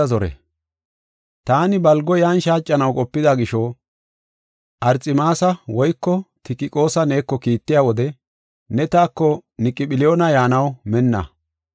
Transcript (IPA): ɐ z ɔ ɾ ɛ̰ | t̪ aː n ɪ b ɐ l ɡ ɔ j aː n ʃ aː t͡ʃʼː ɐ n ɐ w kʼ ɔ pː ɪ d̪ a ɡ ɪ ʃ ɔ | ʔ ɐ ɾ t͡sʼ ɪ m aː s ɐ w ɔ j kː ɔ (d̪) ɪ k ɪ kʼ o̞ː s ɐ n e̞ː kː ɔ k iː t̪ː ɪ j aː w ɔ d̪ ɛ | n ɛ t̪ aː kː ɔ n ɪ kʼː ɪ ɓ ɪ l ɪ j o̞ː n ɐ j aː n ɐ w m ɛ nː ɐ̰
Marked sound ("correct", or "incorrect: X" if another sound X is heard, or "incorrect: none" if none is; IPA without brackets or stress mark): incorrect: t̪